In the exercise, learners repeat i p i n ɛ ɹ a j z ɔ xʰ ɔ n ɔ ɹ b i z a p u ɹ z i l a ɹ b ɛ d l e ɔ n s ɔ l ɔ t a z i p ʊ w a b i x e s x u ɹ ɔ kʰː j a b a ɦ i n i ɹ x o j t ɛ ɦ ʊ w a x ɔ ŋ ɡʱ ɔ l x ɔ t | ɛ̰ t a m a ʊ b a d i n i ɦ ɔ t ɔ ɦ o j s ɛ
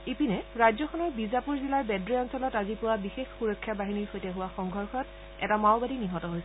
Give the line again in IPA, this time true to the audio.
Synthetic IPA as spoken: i p i n ɛ ɹ a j z ɔ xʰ ɔ n ɔ ɹ b i z a p u ɹ z i l a ɹ b ɛ d ɹ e ɔ n s ɔ l ɔ t a z i p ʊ w a b i x e x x u ɹ ɔ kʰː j a b a ɦ i n i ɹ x o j t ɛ ɦ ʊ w a x ɔ ŋ ɡʱ ɔ ɹ x ɔ t | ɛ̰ t a m a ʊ b a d i n i ɦ ɔ t ɔ ɦ o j s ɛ